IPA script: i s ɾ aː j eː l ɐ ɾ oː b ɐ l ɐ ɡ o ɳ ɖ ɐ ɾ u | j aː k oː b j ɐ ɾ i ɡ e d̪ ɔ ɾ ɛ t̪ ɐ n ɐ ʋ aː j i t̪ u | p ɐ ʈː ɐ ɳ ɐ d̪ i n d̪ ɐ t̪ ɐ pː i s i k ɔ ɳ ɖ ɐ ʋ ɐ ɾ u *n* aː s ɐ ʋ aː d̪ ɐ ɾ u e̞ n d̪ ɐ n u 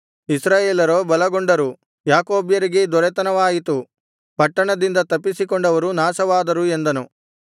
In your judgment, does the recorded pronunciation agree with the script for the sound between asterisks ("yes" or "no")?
yes